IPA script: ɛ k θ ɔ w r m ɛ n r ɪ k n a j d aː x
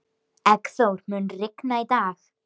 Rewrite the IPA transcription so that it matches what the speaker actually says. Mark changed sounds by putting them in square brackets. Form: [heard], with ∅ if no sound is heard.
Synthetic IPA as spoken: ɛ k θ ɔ w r m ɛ n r ɪ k n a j d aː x